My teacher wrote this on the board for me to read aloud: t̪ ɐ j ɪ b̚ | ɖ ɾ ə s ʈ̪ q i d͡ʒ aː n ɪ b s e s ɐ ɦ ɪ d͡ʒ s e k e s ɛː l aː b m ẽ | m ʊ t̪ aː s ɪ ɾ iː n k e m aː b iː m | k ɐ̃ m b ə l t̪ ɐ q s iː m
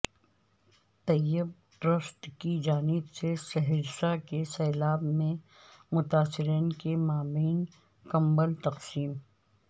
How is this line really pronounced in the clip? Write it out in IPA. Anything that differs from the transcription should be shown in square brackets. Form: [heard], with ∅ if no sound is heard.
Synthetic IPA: t̪ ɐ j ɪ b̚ | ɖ ɾ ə s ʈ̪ [k] i d͡ʒ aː n ɪ b s e s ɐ ɦ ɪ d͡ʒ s [a] k e s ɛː l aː b m ẽ | m ʊ t̪ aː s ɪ ɾ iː n k e m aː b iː [n] | k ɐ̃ m b ə l t̪ ɐ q s iː m